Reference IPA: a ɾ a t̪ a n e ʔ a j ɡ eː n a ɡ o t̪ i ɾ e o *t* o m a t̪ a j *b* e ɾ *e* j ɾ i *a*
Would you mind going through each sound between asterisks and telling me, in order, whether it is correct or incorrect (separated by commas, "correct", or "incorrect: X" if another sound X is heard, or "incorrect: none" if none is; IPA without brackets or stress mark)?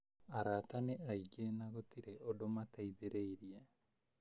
incorrect: d, correct, correct, correct